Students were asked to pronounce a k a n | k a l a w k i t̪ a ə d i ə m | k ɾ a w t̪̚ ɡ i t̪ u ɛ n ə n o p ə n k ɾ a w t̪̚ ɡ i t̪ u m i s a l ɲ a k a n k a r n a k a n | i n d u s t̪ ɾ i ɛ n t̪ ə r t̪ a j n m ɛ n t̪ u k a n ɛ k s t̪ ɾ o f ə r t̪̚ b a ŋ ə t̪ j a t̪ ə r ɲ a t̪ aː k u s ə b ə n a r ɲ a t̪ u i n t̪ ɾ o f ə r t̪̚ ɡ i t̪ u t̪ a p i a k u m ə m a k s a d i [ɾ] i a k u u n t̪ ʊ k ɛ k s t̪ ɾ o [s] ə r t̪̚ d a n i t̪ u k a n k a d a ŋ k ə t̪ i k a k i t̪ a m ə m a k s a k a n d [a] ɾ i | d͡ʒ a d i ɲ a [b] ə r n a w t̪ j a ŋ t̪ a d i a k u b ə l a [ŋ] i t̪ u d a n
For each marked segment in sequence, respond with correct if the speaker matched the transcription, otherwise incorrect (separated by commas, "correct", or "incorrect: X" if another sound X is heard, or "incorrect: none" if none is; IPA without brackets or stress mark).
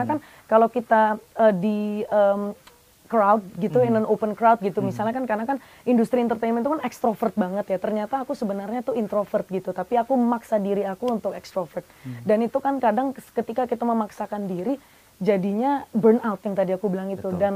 correct, incorrect: f, incorrect: i, correct, correct